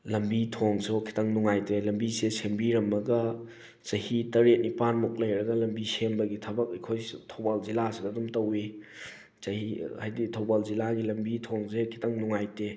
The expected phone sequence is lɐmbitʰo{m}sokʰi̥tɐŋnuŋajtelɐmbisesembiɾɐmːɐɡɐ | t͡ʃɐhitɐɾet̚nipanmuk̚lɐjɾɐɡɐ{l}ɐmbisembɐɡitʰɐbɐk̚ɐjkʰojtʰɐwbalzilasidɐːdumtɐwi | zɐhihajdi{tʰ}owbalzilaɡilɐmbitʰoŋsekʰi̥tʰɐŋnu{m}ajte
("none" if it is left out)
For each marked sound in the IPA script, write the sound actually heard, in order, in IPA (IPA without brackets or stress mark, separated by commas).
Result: ŋ, l, tʰ, ŋ